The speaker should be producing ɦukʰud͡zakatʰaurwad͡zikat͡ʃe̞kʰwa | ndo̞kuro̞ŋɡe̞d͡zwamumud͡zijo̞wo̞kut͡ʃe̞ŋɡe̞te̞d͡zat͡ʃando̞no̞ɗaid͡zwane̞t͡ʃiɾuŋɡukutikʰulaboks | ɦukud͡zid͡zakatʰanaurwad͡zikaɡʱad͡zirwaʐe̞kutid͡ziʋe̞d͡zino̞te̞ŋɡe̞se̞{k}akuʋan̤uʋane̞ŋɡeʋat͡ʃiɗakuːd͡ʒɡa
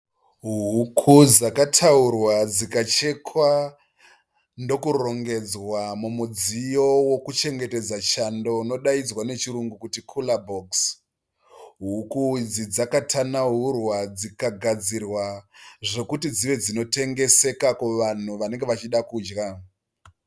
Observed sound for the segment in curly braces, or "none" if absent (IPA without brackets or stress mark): k